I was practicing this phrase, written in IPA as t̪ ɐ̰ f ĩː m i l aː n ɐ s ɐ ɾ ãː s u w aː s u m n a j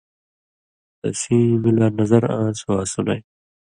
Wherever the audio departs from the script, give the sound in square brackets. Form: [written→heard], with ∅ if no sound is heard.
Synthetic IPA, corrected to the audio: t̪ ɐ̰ [f→s] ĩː m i l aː n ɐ [s→z] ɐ ɾ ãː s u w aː s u [m→∅] n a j